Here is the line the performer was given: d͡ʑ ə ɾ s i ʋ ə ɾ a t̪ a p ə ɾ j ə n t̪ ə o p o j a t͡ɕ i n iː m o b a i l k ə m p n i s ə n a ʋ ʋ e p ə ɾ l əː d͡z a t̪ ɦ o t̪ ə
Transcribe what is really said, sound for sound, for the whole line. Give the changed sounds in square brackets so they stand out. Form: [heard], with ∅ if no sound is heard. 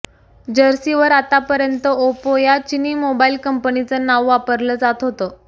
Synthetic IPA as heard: d͡ʑ ə ɾ s i ʋ ə ɾ a t̪ a p ə ɾ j ə n t̪ ə o p o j a t͡ɕ i n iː m o b a i l k ə m p n i [t͡s] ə n a ʋ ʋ [a] p ə ɾ l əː d͡z a t̪ ɦ o t̪ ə